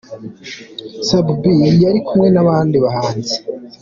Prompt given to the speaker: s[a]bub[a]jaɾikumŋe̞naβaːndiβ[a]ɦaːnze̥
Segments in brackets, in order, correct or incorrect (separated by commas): correct, incorrect, correct